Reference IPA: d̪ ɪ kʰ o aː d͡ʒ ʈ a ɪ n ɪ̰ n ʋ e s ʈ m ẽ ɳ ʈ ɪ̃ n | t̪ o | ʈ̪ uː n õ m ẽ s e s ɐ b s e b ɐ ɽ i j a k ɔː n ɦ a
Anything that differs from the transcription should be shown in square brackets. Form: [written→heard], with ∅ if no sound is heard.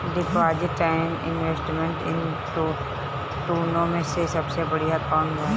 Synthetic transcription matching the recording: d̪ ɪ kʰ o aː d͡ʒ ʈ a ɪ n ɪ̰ n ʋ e s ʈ m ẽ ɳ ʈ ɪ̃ n | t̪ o | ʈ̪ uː n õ m ẽ s e s ɐ b s e b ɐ ɽ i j a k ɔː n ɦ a

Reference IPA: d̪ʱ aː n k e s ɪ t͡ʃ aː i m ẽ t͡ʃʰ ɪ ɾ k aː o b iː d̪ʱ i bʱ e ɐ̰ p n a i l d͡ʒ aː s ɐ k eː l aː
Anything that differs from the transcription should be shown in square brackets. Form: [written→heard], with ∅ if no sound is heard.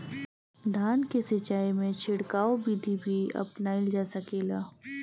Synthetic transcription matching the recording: d̪ʱ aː n k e s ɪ t͡ʃ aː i m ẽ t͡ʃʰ ɪ [ɾ→ɽ] k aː o b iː d̪ʱ i bʱ [e→i] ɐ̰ p n a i l d͡ʒ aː s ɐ k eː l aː

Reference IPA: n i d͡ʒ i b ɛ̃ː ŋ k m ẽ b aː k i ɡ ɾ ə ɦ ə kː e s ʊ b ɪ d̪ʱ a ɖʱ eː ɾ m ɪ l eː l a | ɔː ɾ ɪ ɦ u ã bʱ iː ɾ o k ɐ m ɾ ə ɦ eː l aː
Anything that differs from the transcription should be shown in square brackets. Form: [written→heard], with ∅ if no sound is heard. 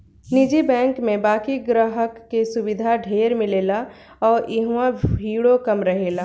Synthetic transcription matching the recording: n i d͡ʒ i b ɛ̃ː ŋ k m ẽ b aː k i ɡ ɾ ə ɦ ə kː e s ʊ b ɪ d̪ʱ a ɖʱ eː ɾ m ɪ l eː l a | ɔː ɾ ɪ ɦ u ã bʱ iː [ɾ→ɽ] o k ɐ m ɾ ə ɦ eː l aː

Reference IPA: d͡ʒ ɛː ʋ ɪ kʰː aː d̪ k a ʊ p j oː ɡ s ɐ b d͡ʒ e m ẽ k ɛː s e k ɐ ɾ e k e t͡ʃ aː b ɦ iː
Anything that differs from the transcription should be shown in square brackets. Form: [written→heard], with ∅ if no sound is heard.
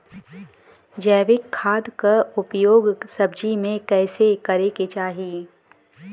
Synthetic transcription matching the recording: d͡ʒ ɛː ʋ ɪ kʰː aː d̪ k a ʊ p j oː ɡ s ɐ b d͡ʒ [e→i] m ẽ k ɛː s e k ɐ ɾ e k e t͡ʃ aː [b→∅] ɦ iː

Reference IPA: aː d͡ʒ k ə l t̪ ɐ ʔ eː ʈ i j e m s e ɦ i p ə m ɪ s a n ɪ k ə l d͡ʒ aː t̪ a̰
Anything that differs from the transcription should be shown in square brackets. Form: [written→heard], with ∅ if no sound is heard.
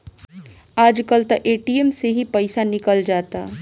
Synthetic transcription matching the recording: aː d͡ʒ k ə l t̪ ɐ ʔ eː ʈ i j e m s e ɦ i p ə [m→∅] ɪ s a n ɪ k ə l d͡ʒ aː t̪ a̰

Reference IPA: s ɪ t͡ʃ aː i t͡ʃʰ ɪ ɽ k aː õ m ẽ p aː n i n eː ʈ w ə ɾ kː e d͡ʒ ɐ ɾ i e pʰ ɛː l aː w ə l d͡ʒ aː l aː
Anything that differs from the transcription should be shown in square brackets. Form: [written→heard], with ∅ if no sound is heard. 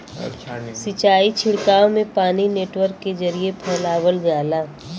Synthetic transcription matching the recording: s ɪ t͡ʃ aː i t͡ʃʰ ɪ ɽ k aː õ m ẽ p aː n i n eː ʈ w ə ɾ kː e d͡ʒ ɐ ɾ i e pʰ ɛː l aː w ə l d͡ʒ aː l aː

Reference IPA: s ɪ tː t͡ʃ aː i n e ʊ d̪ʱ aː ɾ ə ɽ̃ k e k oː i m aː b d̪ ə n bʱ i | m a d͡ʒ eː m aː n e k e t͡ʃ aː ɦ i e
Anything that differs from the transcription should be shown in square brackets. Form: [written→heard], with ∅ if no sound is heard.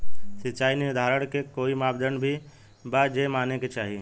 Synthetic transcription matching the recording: s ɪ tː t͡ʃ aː i n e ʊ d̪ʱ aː ɾ ə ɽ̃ k e k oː i m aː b d̪ ə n bʱ i | [m→b] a d͡ʒ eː m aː n e k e t͡ʃ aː ɦ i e

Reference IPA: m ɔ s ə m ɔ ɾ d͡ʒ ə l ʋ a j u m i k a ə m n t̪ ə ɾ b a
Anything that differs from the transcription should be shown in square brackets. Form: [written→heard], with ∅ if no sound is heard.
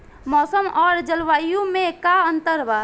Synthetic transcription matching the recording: m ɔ s ə m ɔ ɾ d͡ʒ ə l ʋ a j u m [i→e] k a ə [m→∅] n t̪ ə ɾ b a

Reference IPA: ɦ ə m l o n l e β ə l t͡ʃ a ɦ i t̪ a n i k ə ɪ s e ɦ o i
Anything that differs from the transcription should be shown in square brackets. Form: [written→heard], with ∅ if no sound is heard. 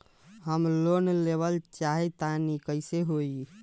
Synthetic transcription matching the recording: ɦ ə m l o n l e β ə l t͡ʃ a ɦ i t̪ a n i k ə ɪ s e ɦ o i

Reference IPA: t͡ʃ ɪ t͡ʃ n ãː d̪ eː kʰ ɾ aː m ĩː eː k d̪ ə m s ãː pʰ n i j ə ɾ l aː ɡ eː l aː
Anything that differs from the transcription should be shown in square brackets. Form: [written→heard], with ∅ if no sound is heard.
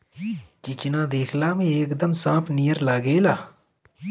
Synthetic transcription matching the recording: t͡ʃ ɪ t͡ʃ n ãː d̪ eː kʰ [ɾ→l] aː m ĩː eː k d̪ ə m s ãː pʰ n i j ə ɾ l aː ɡ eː l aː

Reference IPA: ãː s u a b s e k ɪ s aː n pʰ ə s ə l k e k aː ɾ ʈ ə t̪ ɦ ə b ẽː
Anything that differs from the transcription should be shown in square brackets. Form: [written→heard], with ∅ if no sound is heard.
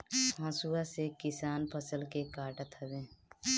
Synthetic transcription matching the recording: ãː s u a [b→∅] s e k ɪ s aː n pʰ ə s ə l k e k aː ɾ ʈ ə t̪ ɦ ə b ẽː

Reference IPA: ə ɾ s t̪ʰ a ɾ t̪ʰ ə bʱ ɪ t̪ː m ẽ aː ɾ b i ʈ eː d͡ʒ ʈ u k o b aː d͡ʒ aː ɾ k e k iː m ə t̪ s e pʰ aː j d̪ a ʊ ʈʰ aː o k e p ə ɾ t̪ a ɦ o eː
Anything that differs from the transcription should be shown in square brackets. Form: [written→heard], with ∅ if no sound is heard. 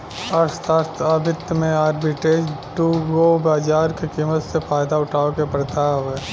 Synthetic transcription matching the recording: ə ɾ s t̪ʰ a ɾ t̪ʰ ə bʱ ɪ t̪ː m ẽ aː ɾ b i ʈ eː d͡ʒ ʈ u [k→ɡ] o b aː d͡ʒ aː ɾ k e k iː m ə t̪ s e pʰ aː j d̪ a ʊ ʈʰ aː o k e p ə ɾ t̪ a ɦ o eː

